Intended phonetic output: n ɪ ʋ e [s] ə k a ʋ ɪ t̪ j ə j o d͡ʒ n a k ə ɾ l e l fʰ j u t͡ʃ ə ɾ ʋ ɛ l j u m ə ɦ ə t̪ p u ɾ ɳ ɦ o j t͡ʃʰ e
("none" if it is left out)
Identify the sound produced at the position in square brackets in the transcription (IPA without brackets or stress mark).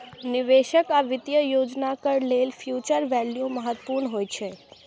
ʃ